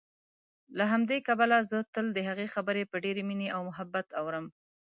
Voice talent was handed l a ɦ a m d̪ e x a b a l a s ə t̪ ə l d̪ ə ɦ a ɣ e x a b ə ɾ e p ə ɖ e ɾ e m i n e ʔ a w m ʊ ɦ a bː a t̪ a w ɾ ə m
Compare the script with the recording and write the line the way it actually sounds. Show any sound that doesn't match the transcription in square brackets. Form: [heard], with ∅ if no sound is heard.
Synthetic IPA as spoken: l a ɦ a m d̪ e [k] a b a l a [z] ə t̪ ə l d̪ ə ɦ a ɣ e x a b ə ɾ e p ə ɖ e ɾ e m i n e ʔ a w m ʊ ɦ a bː a t̪ a w ɾ ə m

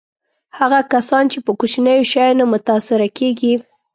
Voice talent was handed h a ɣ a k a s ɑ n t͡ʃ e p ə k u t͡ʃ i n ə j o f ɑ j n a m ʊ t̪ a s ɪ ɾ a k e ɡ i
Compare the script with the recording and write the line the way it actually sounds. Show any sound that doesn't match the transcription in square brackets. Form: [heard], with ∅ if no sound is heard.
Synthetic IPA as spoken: h a ɣ a k a s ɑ n t͡ʃ e p ə k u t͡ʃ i n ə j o [ʃ] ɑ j n a m ʊ t̪ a s ɪ ɾ a k e ɡ i

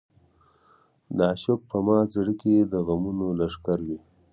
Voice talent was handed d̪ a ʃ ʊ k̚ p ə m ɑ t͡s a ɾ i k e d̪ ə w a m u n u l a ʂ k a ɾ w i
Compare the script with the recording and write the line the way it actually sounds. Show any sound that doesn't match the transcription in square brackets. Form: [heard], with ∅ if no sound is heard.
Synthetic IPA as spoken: d̪ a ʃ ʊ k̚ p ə m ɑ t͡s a [ɽ] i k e d̪ ə [ɣ] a m u n [o] l a ʂ k a ɾ w i

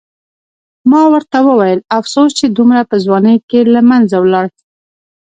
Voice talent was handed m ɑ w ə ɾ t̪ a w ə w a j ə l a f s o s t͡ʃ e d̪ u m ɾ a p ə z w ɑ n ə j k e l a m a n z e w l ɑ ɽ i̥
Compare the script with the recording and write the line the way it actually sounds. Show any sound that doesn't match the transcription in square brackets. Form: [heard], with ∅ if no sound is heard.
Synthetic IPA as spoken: m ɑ w ə ɾ t̪ a w ə w a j ə l a f s o s t͡ʃ e d̪ u m ɾ a p ə z w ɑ n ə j k e l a m a n z [a] w l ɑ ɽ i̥

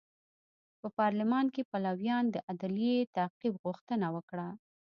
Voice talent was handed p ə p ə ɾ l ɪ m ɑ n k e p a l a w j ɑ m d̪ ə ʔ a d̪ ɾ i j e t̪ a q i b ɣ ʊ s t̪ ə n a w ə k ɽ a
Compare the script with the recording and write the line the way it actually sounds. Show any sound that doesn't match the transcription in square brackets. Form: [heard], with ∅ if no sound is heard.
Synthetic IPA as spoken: p ə p [ɑ] ɾ l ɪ m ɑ n k e p a l a w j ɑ [n] d̪ ə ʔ a d̪ [l] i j e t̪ a q i b ɣ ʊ [x] t̪ ə n a w ə k ɽ a

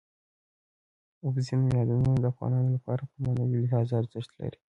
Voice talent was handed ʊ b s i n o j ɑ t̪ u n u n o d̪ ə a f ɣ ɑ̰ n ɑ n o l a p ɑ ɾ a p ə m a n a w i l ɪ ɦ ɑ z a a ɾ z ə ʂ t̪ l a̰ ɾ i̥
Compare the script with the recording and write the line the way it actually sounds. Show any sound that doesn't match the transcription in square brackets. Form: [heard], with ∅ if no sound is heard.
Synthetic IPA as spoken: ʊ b [z] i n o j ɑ [d̪] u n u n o d̪ ə a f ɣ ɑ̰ n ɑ n o l a p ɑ ɾ a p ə m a n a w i l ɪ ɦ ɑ z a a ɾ z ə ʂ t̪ l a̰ ɾ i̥

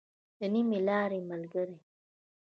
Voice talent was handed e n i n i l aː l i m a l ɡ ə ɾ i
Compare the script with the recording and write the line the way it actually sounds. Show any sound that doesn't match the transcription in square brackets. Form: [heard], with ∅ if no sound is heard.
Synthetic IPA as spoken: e n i [m] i l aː [ɾ] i m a l ɡ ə ɾ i

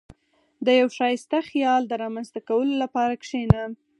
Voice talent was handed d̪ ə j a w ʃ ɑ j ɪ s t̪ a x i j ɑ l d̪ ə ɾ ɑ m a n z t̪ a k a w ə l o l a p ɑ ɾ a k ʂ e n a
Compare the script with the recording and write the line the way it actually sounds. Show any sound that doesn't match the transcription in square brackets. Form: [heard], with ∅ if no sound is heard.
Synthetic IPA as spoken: d̪ ə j a w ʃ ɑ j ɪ s t̪ a x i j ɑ l d̪ ə ɾ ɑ m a n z t̪ a k a w ə l o l a p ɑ ɾ a k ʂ e n a

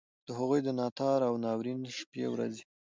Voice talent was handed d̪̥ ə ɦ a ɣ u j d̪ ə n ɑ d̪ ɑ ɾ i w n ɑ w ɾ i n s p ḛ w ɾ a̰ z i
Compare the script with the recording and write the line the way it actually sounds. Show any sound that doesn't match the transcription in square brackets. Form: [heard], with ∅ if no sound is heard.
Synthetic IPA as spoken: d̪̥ ə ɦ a ɣ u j d̪ ə n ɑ [t̪] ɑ ɾ [a] w n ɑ w ɾ i n [ʃ] p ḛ w ɾ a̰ z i

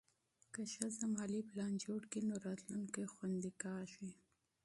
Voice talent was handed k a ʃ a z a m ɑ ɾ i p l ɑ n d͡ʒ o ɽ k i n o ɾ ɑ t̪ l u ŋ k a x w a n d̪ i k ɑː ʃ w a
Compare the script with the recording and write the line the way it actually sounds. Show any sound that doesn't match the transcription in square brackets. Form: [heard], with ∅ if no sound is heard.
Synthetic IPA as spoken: k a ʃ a z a m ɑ [l] i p l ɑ n d͡ʒ o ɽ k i n o ɾ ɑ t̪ l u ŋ k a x w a n d̪ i k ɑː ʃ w [i]

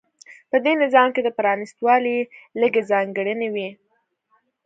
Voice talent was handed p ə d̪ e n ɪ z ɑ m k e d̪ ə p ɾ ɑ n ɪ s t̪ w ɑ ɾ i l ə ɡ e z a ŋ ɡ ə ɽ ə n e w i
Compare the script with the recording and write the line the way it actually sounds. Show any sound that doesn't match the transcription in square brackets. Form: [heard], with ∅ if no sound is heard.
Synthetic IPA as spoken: p ə d̪ e n ɪ z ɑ m k e d̪ ə p ɾ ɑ n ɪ s t̪ w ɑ [l] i l ə ɡ e z [ɑ] ŋ ɡ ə ɽ ə n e w i

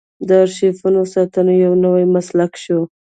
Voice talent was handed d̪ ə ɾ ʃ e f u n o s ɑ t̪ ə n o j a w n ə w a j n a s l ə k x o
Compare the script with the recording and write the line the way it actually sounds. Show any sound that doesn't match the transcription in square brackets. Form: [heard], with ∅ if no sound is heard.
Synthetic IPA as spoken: d̪ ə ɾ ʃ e f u n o s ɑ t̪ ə n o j a w n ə w a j [m] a s l [a] k [ʃ] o

